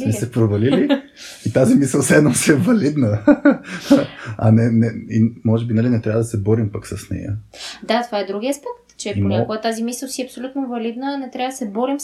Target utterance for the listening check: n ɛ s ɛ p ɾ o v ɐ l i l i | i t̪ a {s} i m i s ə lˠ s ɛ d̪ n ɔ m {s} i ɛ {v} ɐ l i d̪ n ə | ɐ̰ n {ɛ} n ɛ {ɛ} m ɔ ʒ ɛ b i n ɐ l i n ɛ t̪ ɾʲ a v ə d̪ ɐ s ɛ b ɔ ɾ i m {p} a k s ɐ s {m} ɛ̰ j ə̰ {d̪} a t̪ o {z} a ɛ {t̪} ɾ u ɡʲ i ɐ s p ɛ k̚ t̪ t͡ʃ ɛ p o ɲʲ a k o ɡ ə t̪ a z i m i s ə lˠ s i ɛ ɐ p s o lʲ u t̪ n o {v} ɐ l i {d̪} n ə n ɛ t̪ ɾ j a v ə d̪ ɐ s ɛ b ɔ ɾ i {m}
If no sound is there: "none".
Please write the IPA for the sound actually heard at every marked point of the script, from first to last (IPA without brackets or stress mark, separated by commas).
z, s, v, ɛ, i, p, n, d̪, v, d̪, v, d̪, m